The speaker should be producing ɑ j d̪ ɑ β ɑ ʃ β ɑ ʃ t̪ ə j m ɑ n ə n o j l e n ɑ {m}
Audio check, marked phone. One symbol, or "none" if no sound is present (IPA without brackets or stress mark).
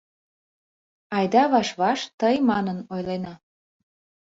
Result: none